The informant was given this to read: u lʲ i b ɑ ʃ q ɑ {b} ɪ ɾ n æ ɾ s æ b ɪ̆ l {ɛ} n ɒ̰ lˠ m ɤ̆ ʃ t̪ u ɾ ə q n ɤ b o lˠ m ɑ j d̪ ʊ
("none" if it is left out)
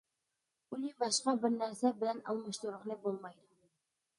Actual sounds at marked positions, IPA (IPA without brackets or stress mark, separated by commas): b, æ